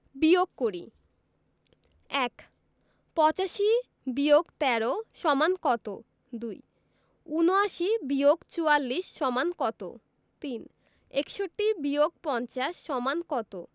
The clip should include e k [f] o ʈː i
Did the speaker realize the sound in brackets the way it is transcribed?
no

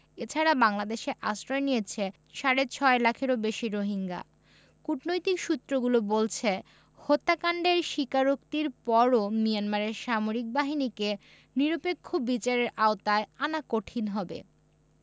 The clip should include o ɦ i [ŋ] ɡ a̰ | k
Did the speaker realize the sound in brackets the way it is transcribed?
yes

